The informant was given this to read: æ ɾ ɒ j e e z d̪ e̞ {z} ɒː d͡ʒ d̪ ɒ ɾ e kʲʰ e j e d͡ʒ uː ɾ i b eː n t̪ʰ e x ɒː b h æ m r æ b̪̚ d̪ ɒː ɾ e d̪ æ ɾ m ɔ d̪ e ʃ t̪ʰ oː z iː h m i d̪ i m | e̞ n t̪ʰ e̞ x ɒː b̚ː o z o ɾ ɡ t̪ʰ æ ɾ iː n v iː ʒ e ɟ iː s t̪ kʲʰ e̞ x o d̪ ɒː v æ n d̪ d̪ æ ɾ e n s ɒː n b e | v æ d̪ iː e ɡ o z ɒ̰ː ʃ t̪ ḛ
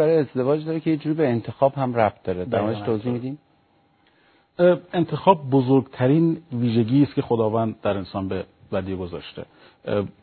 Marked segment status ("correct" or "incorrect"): incorrect